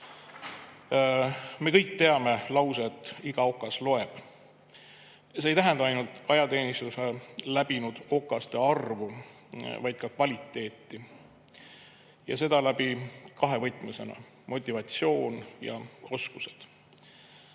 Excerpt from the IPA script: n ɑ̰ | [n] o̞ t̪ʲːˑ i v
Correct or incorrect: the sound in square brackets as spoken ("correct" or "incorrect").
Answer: incorrect